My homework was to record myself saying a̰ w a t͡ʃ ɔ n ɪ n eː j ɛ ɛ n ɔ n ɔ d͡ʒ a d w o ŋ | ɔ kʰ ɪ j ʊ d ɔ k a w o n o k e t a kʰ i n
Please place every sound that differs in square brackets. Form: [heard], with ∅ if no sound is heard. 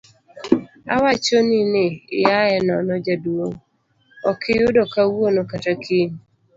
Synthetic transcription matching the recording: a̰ w a t͡ʃ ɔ n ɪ n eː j [a] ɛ n ɔ n ɔ d͡ʒ a d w o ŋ | ɔ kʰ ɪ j ʊ d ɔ k a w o n o k [a] t a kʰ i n